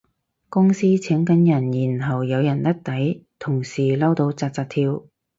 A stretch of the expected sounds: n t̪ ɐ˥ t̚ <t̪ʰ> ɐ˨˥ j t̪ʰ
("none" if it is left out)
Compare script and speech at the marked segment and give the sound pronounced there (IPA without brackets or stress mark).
t̪